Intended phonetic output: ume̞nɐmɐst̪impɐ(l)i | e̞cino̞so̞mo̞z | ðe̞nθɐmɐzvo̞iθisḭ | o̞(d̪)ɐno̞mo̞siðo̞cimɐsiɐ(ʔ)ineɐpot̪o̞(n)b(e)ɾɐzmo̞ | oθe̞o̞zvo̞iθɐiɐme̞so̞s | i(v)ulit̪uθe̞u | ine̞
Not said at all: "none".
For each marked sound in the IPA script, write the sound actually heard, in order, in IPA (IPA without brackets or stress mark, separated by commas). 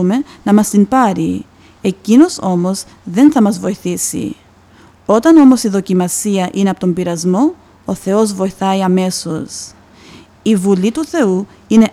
ɾ, t̪, ʔ, m, i, v